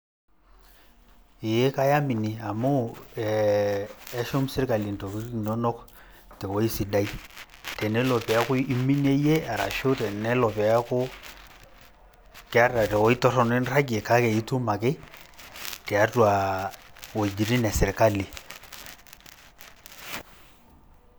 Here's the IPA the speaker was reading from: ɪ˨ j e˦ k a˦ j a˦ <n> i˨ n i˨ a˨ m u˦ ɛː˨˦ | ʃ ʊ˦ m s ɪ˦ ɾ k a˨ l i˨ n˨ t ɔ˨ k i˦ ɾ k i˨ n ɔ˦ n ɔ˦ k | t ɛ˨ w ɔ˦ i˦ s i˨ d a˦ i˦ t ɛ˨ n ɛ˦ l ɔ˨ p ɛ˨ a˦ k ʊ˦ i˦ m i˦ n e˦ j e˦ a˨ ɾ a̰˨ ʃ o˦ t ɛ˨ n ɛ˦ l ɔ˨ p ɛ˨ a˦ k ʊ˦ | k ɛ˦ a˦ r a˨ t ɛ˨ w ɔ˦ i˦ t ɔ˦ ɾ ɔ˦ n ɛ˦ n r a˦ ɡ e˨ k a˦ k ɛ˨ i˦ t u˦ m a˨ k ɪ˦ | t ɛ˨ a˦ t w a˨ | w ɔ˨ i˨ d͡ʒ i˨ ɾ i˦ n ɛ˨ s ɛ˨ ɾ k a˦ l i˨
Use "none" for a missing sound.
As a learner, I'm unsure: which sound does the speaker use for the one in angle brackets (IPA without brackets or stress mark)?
m